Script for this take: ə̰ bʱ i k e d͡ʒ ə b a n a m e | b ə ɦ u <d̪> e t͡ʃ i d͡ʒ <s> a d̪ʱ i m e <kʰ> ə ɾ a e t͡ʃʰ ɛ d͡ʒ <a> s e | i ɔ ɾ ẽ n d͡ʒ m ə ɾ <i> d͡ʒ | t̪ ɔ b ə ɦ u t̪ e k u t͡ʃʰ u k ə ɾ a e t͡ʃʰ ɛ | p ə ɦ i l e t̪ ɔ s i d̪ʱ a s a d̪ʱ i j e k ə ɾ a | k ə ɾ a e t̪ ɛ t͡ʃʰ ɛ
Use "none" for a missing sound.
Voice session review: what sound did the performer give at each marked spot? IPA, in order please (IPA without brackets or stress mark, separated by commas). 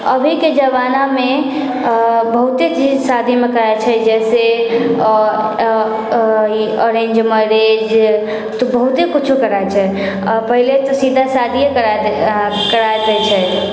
t̪, s, k, ɛ, e